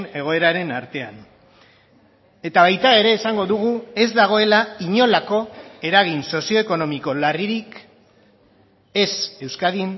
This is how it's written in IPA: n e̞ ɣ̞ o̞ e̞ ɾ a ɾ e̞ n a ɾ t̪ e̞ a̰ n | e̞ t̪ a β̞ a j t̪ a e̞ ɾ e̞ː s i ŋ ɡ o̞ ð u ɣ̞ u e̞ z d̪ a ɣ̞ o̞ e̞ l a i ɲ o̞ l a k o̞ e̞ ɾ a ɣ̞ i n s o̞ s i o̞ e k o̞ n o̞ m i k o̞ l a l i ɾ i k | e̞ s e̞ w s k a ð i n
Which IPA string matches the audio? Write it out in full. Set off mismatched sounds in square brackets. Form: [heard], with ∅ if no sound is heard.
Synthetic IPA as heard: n e̞ ɣ̞ o̞ e̞ ɾ a ɾ e̞ n a ɾ t̪ e̞ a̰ n | e̞ t̪ a β̞ a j t̪ a e̞ ɾ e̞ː s [a] ŋ ɡ o̞ ð u ɣ̞ u e̞ z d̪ a ɣ̞ o̞ e̞ l a i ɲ o̞ l a k o̞ e̞ ɾ a ɣ̞ i n s o̞ s i o̞ e k o̞ n o̞ m i k o̞ l a [r] i ɾ i k | e̞ s e̞ w s k a ð i n

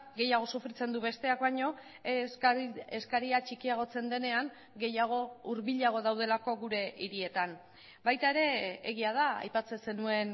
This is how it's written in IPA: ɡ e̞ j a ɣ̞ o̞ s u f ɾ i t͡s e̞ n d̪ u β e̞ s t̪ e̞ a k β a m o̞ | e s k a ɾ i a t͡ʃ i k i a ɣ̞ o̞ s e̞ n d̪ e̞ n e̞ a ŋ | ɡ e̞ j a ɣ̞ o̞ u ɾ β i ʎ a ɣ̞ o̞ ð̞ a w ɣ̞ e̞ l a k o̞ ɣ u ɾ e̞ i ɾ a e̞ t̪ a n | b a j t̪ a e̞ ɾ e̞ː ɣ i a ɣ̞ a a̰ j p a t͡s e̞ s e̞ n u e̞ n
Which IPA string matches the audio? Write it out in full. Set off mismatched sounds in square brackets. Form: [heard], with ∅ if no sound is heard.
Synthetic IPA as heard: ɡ e̞ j a ɣ̞ o̞ s u f ɾ i t͡s e̞ n d̪ u β e̞ s t̪ e̞ a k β a [ɲ] o̞ | e s k a ɾ i a t͡ʃ i k i a ɣ̞ o̞ [t͡s] e̞ n d̪ e̞ n e̞ a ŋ | ɡ e̞ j a ɣ̞ o̞ u ɾ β i ʎ a ɣ̞ o̞ ð̞ a w [ð̞] e̞ l a k o̞ ɣ u ɾ e̞ i ɾ [i] e̞ t̪ a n | b a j t̪ a e̞ ɾ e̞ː ɣ i a [ð̞] a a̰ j p a t͡s e̞ s e̞ n u e̞ n

